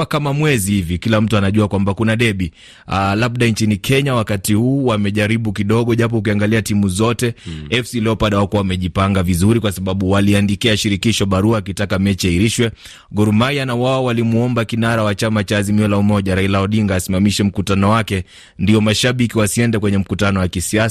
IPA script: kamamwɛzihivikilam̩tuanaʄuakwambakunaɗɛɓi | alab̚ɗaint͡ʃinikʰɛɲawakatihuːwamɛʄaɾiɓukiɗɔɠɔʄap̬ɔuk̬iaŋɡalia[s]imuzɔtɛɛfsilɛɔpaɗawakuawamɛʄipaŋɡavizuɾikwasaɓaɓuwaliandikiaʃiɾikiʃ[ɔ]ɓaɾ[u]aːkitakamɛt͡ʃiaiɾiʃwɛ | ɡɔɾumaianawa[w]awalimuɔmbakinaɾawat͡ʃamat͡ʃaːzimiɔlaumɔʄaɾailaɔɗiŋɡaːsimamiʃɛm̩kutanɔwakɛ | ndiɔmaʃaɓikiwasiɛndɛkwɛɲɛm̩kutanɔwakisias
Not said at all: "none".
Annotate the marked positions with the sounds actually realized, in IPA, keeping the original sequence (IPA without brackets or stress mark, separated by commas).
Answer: t, ɔ, u, w